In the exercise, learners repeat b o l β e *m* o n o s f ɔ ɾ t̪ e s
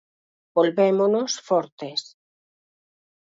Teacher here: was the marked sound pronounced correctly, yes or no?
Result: yes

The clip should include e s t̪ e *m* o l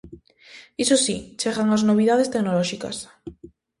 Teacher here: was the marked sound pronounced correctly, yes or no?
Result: no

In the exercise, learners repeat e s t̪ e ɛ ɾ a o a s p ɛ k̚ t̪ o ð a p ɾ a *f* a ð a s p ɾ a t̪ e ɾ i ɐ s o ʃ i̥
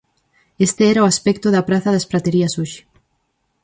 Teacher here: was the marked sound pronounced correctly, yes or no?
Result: no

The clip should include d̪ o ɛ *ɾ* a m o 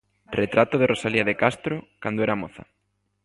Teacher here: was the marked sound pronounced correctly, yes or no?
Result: yes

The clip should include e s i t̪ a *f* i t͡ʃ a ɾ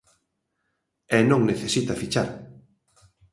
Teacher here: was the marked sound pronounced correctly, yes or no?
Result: yes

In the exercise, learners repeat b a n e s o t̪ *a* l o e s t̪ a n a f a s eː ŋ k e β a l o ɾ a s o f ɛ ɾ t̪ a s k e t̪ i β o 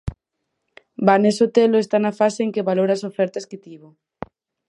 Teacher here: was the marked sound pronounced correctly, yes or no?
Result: no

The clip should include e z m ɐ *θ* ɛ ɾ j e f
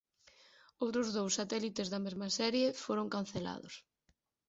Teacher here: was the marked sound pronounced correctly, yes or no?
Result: no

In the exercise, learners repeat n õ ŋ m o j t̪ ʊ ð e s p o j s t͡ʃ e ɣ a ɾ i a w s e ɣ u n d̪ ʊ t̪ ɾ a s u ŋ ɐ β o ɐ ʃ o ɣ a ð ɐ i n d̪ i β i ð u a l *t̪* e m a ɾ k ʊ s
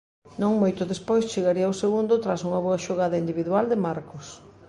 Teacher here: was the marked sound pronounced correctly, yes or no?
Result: no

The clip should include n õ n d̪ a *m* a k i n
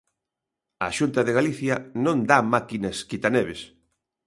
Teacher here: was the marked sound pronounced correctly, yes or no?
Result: yes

